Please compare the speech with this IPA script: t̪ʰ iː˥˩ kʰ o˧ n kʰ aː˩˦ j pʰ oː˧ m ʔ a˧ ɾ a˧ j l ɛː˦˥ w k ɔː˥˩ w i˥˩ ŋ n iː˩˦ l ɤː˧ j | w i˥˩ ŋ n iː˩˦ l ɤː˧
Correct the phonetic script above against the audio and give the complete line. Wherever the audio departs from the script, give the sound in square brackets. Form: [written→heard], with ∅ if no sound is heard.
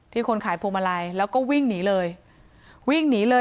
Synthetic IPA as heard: t̪ʰ iː˥˩ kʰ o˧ n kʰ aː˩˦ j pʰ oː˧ m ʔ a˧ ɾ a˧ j l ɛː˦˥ w k ɔː˥˩ w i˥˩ ŋ n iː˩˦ l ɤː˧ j | w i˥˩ ŋ n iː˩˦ l ɤː˧